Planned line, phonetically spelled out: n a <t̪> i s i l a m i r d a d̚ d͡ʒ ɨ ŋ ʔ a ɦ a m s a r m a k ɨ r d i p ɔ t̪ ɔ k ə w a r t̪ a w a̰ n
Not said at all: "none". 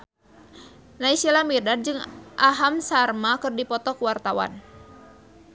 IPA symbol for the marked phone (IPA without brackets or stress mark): none